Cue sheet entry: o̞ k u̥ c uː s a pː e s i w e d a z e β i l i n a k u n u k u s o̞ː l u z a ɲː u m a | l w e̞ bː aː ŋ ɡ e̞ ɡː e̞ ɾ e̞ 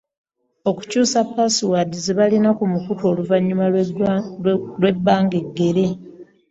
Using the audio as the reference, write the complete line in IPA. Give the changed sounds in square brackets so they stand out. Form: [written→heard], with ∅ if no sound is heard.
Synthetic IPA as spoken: o̞ k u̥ c uː s a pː [e→a] s i w [e→a] d [a→i] z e β [i→a] l i n a k u [n→m] u k u [s→t] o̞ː l u [z→v] a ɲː u m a | l w e̞ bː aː ŋ ɡ e̞ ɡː e̞ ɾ e̞